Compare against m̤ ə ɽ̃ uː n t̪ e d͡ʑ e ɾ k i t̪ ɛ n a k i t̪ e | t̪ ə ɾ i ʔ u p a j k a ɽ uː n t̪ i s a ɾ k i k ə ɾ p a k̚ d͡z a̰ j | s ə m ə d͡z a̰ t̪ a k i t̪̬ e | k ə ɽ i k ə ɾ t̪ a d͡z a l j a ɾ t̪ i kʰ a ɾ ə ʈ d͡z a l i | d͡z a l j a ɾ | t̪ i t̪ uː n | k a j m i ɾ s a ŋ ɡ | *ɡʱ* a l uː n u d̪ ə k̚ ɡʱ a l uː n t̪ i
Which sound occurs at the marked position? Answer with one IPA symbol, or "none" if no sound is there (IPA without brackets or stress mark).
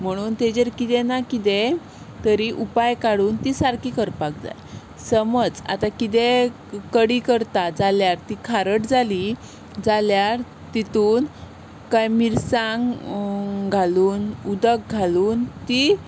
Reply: ɡʱ